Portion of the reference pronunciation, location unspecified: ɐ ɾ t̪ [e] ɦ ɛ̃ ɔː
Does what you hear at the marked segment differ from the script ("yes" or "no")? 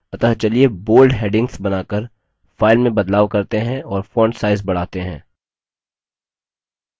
no